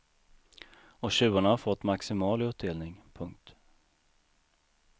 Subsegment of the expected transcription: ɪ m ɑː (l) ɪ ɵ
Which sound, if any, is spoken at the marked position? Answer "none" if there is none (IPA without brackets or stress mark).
l